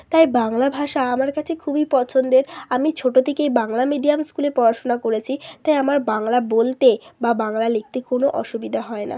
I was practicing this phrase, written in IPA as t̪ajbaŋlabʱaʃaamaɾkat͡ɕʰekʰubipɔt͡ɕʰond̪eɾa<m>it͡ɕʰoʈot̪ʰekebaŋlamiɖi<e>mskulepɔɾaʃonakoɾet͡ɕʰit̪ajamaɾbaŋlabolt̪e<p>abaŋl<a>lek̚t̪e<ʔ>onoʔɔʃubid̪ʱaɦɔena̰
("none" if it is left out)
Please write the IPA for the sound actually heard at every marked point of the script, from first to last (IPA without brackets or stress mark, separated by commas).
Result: m, a, b, a, k